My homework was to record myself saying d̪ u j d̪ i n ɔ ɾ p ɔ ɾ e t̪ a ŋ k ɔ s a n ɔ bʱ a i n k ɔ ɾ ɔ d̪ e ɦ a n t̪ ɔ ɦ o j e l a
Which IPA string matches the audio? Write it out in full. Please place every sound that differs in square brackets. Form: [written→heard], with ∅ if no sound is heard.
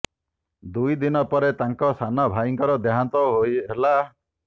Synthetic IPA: d̪ u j d̪ i n ɔ [ɾ→∅] p ɔ ɾ e t̪ a ŋ k ɔ s a n ɔ bʱ a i [n→ŋ] k ɔ ɾ ɔ d̪ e ɦ a n t̪ ɔ ɦ o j e l a